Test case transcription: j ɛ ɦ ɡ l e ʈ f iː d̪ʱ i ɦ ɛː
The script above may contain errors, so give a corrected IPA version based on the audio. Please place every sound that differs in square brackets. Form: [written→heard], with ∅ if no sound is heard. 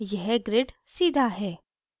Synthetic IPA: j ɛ ɦ ɡ [l→ɾ] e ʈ [f→s] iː d̪ʱ [i→a] ɦ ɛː